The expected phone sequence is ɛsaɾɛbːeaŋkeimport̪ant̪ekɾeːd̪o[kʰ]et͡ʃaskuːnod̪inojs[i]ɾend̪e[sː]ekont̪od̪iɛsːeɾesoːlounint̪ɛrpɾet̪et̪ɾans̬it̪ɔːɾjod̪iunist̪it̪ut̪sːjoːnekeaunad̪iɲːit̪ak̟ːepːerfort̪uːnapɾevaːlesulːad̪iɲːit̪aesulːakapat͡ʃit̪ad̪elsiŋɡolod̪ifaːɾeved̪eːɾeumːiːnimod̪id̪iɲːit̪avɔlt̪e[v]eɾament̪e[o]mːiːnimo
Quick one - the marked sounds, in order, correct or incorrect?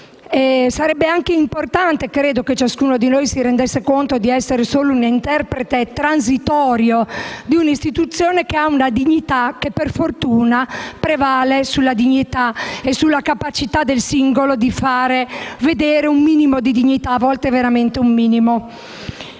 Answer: incorrect, correct, correct, correct, incorrect

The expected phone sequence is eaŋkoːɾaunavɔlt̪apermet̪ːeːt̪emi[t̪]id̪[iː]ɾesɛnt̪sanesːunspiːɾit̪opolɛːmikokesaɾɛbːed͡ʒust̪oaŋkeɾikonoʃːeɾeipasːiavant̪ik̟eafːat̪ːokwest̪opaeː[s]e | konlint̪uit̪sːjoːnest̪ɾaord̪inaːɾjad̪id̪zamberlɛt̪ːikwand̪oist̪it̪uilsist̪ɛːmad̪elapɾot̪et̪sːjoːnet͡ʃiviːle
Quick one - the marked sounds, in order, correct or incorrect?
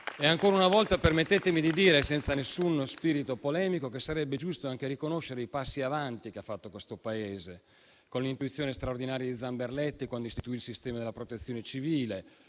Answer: incorrect, correct, incorrect

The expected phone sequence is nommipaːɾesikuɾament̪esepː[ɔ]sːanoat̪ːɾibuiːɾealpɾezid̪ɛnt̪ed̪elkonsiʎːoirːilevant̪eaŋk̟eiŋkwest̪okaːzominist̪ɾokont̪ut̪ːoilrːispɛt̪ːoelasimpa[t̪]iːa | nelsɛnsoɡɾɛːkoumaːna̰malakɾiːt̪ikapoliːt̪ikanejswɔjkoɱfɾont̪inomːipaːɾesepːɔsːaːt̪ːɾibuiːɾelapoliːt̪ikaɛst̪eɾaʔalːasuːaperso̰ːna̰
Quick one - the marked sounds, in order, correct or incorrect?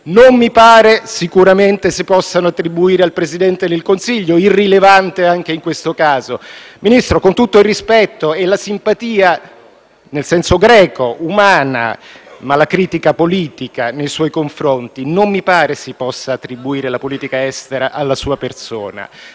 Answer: correct, correct

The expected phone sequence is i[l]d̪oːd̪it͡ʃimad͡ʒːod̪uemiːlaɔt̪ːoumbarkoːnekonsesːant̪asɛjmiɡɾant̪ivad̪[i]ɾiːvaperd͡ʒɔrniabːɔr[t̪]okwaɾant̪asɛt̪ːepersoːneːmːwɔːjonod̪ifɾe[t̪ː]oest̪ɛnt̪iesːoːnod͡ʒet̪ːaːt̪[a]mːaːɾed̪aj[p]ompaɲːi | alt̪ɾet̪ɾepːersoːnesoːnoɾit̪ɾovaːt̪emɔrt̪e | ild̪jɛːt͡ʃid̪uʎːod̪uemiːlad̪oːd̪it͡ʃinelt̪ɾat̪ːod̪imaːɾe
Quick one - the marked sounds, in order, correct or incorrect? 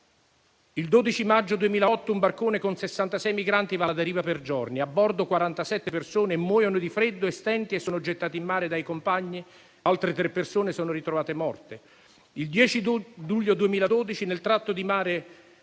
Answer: correct, incorrect, incorrect, incorrect, incorrect, incorrect

